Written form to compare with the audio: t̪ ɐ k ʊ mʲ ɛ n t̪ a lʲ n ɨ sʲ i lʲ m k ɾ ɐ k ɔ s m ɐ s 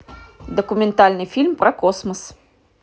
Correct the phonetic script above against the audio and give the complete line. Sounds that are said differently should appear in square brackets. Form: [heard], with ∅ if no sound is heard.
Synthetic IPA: [d̪] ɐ k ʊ mʲ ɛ n t̪ a lʲ n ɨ [fʲ] i lʲ m [p] ɾ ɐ k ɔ s m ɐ s

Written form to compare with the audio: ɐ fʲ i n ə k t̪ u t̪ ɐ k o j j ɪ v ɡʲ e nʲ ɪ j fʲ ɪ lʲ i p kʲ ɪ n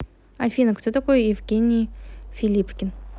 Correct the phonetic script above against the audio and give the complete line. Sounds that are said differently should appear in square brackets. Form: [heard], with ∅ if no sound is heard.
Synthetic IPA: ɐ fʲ i n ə k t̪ [o] t̪ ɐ k o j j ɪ v ɡʲ e nʲ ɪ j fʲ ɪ lʲ i p kʲ ɪ n

